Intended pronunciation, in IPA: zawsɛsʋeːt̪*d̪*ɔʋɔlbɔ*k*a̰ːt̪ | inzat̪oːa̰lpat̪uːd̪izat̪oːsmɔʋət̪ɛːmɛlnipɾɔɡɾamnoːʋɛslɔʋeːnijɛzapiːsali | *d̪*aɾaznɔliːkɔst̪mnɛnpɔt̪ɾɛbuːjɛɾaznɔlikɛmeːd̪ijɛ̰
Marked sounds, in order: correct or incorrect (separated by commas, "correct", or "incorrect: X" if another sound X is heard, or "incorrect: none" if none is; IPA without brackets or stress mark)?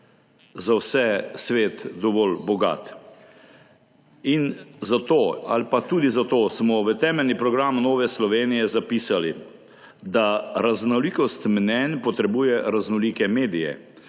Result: correct, incorrect: ɡ, correct